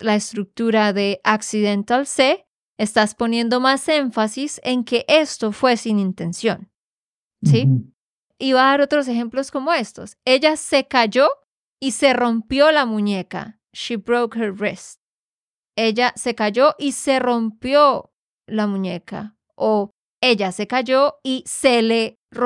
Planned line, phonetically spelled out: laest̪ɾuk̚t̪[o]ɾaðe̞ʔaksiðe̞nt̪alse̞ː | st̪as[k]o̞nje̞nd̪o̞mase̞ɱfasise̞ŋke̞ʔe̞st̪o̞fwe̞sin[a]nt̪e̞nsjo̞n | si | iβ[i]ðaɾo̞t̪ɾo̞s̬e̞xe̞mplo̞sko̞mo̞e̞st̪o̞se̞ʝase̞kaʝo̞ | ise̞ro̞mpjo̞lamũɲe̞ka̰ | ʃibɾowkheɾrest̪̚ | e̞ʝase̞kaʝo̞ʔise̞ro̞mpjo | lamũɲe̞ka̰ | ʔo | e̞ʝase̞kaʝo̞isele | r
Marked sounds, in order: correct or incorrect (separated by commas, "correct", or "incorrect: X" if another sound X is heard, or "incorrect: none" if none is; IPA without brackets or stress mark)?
incorrect: u, incorrect: p, incorrect: i, incorrect: a